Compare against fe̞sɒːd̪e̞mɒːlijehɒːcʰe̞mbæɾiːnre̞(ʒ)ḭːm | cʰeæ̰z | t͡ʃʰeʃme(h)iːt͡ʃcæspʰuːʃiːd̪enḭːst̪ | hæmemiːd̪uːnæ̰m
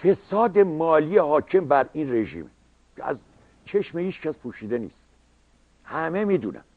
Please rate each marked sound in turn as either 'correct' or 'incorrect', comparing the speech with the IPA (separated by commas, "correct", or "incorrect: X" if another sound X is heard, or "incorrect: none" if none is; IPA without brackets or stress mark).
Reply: correct, correct